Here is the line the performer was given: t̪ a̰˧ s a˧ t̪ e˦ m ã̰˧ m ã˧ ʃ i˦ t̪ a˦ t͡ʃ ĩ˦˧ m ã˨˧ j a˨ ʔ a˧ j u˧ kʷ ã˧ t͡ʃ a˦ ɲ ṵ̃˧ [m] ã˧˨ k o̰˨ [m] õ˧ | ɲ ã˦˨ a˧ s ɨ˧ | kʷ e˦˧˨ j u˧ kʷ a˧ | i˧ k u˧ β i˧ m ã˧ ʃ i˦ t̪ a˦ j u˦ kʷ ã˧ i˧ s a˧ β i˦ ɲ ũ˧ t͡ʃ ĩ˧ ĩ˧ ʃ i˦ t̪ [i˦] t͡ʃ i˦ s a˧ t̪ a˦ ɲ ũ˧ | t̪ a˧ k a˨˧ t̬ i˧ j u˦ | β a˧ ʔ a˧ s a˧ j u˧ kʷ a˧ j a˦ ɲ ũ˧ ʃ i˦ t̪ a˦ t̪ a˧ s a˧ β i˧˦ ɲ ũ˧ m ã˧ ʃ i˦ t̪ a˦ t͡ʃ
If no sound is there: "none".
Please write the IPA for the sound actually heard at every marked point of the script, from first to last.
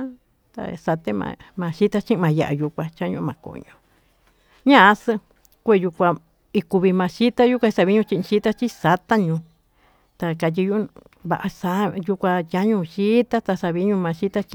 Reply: m, ɲ, a˦

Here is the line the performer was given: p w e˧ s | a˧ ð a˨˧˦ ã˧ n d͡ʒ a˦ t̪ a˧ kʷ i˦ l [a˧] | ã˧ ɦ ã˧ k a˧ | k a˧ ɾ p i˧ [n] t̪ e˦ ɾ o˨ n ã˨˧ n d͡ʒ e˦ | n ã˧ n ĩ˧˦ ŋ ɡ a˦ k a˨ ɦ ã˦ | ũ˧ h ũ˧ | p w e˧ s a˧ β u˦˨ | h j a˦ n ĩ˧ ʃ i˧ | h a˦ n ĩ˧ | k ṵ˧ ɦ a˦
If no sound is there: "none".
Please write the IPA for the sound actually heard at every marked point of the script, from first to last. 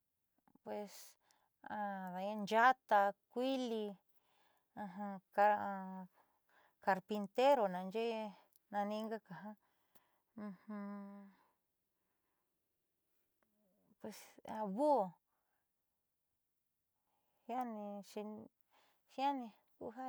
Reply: i˧, n

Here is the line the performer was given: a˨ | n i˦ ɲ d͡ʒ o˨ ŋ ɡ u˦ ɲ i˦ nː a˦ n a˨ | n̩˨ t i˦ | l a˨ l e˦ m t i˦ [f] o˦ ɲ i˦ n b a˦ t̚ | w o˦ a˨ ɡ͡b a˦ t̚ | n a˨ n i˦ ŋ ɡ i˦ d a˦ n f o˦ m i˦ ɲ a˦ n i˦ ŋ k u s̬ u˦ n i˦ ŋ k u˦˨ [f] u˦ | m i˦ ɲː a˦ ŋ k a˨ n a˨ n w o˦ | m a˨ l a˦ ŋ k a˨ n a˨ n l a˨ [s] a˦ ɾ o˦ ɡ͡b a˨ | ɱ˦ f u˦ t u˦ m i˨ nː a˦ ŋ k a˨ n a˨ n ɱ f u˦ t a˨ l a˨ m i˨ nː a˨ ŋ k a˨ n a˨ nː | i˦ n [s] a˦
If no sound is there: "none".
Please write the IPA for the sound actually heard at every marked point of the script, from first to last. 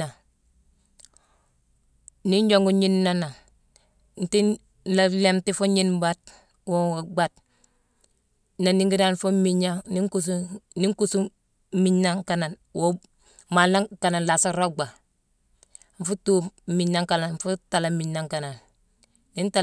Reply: f, s, s, t

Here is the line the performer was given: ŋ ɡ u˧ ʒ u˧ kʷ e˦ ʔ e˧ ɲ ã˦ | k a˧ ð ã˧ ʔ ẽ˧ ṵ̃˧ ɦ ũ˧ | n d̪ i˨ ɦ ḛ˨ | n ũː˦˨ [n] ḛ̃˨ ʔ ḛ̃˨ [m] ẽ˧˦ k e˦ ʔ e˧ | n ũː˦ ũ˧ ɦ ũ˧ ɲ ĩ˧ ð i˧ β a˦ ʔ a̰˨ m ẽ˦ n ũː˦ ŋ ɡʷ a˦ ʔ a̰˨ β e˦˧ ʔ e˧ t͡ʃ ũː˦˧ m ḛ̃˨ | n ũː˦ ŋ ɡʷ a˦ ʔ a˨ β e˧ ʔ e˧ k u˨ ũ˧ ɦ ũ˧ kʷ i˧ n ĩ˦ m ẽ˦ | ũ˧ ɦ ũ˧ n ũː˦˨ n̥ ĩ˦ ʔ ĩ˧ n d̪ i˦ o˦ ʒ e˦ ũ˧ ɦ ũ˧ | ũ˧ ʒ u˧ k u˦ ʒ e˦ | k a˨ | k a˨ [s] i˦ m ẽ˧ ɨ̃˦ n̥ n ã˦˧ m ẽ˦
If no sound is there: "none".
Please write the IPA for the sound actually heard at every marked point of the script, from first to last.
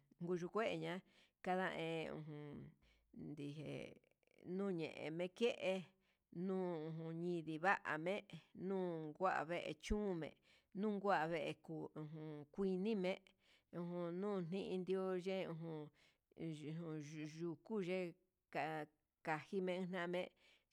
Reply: ɲ, m, h

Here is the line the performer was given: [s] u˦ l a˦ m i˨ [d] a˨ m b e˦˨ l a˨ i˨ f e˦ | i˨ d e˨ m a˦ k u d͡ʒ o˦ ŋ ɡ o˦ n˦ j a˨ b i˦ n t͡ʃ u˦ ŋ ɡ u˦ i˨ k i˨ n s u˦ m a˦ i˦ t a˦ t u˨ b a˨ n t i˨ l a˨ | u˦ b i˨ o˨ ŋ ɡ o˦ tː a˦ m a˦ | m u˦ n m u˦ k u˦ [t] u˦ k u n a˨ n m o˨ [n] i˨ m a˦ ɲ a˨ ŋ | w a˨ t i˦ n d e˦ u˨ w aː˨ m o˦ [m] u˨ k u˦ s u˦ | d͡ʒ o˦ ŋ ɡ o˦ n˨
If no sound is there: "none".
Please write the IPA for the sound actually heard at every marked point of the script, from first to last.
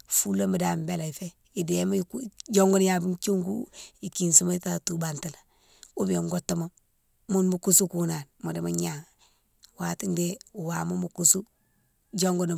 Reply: f, d, s, d, m

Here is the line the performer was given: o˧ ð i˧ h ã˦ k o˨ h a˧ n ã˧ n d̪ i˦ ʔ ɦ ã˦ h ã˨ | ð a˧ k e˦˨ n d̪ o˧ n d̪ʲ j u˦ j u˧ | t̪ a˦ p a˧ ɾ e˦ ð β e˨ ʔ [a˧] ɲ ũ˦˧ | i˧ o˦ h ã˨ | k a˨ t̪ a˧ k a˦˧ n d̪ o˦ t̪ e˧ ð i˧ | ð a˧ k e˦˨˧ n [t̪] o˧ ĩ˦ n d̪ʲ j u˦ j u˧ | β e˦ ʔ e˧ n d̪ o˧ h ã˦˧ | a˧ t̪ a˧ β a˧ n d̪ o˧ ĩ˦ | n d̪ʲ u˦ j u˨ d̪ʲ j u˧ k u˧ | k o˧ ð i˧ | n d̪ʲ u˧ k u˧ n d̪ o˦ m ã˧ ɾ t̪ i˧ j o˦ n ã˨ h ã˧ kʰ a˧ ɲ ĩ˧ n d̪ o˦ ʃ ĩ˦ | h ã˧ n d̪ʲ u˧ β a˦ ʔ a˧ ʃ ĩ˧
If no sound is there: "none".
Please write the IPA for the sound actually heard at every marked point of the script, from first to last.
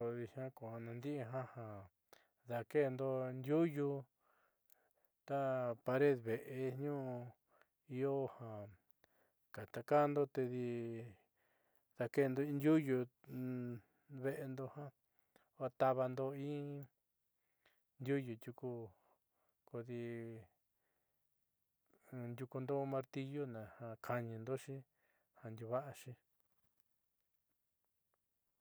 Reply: e˧, d̪

